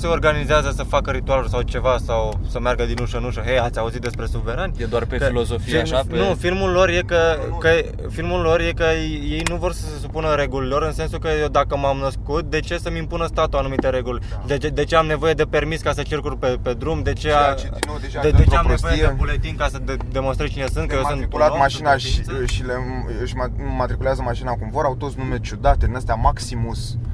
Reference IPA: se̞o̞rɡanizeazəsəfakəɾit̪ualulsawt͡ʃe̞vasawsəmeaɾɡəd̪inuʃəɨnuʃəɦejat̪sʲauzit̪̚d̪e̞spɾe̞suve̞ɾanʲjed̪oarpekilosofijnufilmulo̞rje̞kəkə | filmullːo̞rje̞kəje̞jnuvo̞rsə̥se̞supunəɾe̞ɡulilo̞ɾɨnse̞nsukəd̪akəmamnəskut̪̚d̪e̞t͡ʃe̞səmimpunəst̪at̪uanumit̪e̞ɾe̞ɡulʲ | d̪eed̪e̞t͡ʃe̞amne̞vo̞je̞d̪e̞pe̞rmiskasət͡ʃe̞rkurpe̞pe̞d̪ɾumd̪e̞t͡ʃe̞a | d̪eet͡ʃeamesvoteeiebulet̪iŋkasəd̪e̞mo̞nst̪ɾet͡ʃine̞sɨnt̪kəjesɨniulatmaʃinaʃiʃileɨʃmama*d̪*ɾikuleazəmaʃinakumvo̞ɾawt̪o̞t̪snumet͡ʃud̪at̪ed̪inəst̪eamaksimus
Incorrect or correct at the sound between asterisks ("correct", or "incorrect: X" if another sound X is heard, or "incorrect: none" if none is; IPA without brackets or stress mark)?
incorrect: t̪